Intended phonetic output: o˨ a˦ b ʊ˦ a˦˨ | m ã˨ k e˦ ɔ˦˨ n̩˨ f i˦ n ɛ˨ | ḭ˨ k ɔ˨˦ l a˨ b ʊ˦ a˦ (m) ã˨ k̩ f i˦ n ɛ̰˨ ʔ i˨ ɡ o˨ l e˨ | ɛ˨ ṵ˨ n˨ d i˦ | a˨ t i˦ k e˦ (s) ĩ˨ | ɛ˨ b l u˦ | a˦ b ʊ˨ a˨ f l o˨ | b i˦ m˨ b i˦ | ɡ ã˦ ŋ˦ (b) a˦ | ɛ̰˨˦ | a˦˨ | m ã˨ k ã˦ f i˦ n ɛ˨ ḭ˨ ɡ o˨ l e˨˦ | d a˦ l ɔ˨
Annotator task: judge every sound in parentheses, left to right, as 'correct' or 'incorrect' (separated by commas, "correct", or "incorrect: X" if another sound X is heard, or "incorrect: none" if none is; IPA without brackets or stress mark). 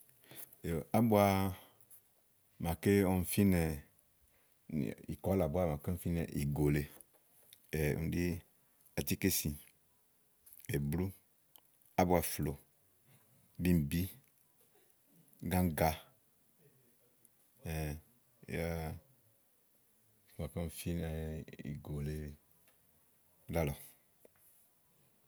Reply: correct, correct, incorrect: ɡ